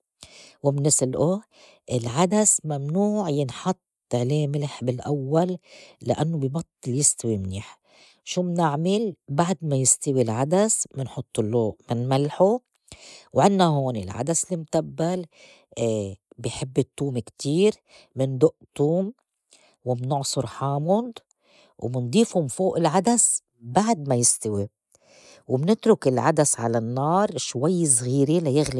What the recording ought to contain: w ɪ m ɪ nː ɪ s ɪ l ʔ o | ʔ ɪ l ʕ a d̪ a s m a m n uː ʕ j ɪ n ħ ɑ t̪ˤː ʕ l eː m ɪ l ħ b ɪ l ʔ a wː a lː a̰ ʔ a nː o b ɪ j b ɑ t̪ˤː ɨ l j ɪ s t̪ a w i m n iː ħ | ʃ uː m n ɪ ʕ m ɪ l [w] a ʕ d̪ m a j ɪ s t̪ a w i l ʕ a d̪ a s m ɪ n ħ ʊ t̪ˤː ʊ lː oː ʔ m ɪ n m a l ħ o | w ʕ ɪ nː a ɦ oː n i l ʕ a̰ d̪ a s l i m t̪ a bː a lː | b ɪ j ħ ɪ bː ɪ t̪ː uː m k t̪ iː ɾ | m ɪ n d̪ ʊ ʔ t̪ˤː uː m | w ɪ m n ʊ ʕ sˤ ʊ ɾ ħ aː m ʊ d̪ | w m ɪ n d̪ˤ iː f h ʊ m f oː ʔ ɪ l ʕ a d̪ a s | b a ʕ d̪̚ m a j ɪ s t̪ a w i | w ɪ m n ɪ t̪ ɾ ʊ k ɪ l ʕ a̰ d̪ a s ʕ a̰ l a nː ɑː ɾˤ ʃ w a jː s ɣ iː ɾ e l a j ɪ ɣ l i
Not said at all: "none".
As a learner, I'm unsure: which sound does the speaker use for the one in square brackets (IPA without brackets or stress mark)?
b